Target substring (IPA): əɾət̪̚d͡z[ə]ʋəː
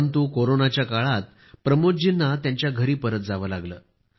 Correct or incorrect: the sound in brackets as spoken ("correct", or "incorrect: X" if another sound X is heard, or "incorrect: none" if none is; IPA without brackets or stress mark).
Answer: incorrect: a